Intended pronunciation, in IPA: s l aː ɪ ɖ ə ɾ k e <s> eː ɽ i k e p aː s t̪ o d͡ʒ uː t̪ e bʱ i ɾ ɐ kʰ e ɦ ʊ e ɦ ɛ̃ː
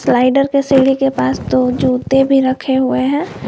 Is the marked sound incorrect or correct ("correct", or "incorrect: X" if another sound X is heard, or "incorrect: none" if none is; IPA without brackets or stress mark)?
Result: correct